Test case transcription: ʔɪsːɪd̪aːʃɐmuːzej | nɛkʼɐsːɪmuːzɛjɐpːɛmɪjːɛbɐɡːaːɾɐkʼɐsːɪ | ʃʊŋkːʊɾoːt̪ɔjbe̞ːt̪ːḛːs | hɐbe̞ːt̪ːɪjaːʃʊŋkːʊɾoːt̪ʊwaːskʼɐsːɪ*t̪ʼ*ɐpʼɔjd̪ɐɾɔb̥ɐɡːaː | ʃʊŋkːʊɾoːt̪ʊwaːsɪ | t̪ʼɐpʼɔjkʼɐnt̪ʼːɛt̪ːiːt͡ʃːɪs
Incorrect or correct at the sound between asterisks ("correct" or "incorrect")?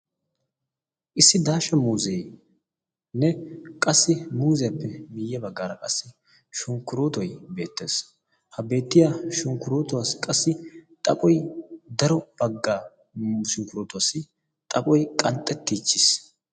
correct